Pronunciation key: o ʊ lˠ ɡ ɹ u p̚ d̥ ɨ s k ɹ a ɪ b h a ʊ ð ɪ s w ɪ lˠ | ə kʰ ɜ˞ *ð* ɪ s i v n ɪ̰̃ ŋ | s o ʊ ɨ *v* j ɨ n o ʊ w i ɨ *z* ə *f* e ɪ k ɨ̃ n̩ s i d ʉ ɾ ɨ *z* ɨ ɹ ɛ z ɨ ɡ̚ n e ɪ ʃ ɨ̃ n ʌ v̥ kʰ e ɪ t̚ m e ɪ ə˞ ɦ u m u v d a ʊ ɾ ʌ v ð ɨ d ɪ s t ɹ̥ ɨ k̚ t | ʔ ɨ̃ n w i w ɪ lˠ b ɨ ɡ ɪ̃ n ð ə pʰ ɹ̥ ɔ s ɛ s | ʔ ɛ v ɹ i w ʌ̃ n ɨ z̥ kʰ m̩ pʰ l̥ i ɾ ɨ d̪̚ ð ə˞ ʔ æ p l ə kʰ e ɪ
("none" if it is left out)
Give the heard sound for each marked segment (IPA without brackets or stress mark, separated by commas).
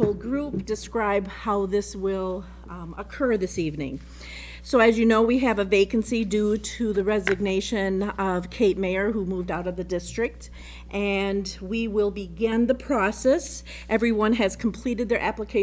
ð, z, v, v, ð